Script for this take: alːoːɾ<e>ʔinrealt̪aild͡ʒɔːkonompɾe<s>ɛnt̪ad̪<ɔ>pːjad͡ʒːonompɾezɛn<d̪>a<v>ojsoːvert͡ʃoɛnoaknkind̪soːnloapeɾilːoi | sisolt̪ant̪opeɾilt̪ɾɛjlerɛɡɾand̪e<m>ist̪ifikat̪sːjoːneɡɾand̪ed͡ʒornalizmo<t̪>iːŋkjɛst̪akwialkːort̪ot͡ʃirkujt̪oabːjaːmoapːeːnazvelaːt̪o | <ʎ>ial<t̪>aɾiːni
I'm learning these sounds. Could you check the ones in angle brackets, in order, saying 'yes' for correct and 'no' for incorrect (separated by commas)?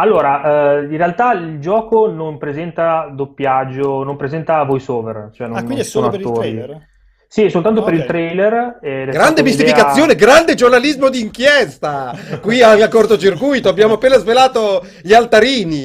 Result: no, no, no, no, yes, yes, no, yes, yes